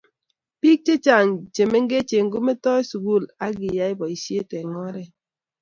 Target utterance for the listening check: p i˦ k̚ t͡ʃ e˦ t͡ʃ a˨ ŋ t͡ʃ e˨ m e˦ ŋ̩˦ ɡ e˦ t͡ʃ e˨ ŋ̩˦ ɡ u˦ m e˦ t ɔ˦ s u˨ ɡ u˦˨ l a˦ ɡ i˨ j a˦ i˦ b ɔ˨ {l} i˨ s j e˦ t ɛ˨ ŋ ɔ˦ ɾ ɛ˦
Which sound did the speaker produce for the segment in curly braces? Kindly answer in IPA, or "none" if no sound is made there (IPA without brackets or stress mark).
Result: none